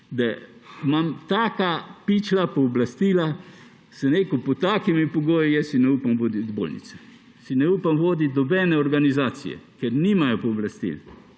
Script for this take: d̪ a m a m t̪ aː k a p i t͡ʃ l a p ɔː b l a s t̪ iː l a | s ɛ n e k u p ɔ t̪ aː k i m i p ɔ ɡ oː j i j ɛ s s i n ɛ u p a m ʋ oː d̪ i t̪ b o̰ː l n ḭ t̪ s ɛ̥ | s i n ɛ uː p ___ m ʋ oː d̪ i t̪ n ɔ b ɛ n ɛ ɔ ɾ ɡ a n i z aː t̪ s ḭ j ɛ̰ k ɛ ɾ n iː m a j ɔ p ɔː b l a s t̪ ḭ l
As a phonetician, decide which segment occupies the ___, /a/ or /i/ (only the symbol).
a